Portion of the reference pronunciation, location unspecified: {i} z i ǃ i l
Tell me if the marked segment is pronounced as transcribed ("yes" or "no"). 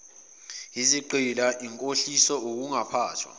yes